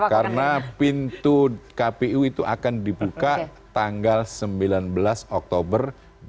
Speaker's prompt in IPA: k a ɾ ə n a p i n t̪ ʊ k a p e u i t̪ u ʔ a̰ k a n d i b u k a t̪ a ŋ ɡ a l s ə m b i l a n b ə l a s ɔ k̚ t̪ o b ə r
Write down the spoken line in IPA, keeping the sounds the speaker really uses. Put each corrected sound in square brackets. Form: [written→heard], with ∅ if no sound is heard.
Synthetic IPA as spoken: k a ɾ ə n a p i n t̪ [ʊ→u] k a p e u i t̪ u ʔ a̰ k a n d i b u k a t̪ a ŋ ɡ a l s ə m b i l a n b ə l a s ɔ k̚ t̪ o b ə r